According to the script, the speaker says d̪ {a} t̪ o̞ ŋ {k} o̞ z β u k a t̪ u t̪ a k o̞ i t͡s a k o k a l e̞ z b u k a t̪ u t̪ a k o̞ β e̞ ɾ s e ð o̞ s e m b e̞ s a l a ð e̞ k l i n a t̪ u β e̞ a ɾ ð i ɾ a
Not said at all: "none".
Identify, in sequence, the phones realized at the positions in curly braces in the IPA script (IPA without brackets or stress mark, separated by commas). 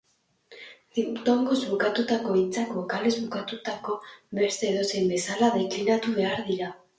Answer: i, ɡ